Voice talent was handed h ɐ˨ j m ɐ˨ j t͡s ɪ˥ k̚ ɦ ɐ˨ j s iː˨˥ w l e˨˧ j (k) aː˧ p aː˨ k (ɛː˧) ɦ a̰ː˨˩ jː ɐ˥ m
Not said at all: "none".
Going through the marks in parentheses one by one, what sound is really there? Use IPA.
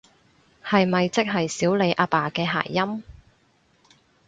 ʔ, ɛː˧

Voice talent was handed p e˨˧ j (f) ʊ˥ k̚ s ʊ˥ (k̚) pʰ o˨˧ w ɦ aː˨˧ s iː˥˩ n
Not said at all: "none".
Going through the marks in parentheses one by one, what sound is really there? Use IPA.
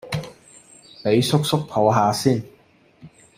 s, k̚

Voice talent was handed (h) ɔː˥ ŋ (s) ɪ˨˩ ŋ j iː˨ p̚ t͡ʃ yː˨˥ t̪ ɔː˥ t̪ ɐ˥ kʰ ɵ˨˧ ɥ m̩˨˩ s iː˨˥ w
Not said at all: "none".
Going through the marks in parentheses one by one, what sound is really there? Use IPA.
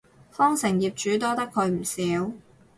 f, s

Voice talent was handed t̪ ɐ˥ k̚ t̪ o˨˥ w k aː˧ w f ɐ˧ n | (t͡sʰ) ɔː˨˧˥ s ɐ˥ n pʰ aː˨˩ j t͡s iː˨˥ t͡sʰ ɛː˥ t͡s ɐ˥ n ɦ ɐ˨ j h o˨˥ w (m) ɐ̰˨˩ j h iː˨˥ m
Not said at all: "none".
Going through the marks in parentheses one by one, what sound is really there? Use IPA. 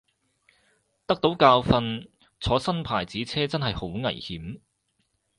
t͡sʰ, ŋ

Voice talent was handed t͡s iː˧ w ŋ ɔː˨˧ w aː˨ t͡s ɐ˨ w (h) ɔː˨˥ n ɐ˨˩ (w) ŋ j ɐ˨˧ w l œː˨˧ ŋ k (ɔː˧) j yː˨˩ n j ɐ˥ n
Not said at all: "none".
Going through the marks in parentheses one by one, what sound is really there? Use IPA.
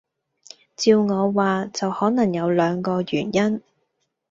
h, none, ɔː˧

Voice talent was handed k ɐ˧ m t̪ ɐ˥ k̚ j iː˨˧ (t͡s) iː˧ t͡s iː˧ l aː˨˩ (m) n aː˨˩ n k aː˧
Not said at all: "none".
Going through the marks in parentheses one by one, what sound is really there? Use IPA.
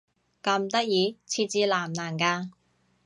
t͡sʰ, m

